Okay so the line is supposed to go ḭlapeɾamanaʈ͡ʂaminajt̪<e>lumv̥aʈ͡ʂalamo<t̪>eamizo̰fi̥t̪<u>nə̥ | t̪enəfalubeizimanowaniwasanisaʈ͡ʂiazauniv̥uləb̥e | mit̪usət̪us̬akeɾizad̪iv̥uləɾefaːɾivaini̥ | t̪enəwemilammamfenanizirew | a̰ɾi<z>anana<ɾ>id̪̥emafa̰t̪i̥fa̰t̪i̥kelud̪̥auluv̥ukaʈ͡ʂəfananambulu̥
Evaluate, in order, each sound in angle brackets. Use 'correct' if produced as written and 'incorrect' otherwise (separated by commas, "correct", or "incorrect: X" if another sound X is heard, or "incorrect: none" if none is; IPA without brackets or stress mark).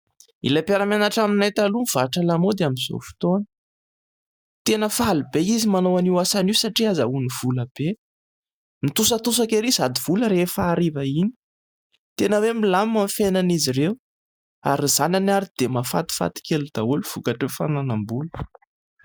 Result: incorrect: a, incorrect: d̪, incorrect: o, correct, correct